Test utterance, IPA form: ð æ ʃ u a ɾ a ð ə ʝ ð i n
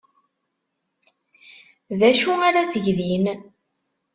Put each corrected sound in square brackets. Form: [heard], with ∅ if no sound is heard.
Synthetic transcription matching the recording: ð æ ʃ u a ɾ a [θ] ə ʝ ð i n